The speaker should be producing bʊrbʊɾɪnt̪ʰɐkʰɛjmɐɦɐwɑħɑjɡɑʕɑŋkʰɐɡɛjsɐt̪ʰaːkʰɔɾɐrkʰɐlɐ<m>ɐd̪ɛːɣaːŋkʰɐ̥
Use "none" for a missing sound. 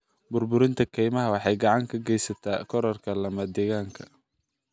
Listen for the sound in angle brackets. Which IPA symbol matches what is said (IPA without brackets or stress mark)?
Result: m